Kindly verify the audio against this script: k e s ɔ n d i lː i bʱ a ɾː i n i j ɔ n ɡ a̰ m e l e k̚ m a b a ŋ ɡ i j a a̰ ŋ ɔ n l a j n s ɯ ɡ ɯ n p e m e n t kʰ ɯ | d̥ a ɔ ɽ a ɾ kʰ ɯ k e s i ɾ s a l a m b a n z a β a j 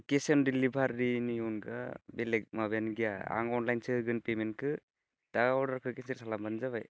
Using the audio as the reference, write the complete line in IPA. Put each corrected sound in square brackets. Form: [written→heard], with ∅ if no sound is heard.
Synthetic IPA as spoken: k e s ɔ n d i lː i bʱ a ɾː i n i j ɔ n ɡ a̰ [m→b] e l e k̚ m a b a [ŋ→n] ɡ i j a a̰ ŋ ɔ n l a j n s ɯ ɡ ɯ n p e m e n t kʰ ɯ | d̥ a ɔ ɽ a ɾ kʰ ɯ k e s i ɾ s a l a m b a n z a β a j